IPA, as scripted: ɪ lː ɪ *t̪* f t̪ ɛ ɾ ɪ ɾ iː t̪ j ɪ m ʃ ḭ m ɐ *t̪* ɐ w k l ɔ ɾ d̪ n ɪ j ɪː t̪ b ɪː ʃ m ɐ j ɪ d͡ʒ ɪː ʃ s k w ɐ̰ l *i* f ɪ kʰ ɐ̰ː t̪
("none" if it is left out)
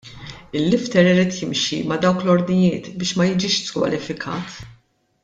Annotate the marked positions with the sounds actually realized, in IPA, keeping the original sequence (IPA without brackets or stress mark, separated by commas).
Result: none, d̪, ɪ